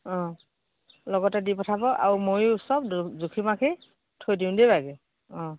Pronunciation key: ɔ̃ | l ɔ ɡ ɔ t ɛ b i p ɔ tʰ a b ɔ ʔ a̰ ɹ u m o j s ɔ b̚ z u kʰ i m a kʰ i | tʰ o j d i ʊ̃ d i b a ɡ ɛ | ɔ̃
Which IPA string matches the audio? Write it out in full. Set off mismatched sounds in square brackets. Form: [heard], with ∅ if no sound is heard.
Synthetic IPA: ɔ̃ | l ɔ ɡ ɔ t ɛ [d] i p ɔ tʰ a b ɔ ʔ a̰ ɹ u m o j s ɔ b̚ z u kʰ i m a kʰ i | tʰ o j d i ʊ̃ d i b a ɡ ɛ | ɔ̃